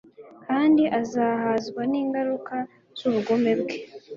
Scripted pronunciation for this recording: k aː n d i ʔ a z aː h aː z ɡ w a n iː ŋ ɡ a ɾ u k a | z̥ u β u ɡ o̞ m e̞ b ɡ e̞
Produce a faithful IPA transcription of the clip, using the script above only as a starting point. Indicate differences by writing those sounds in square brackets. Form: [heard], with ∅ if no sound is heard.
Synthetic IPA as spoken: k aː n d i ʔ a z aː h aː z ɡ w a n iː ŋ ɡ a ɾ u k a | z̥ u β u ɡ o̞ m e̞ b ɡ e̞